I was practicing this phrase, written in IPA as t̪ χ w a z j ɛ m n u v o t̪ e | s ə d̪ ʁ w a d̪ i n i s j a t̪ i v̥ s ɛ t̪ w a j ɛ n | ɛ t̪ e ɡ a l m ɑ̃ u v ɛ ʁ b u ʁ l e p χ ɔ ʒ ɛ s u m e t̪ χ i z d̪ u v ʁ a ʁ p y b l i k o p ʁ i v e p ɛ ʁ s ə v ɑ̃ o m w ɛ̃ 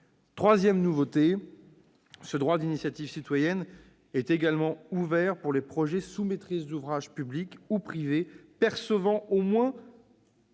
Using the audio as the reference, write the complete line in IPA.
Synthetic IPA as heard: t̪ χ w a z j ɛ m n u v o t̪ e | s ə d̪ ʁ w a d̪ i n i s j a t̪ i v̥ s i t̪ w a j ɛ n | ɛ t̪ e ɡ a l m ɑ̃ u v ɛ ʁ p u ʁ l e p χ ɔ ʒ ɛ s u m e t̪ χ i z d̪ u v ʁ a ʒ p y b l i k u p χ i v e p ɛ ʁ s ə v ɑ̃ o m w ɛ̃